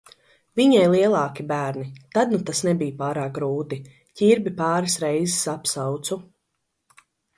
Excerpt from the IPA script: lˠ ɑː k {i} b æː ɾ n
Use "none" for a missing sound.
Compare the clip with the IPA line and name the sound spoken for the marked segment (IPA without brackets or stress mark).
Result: i